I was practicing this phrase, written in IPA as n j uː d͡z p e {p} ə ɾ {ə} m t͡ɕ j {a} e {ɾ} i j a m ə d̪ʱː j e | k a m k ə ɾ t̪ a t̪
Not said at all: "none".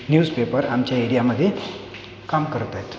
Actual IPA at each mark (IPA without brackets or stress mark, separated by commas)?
p, a, a, ɽ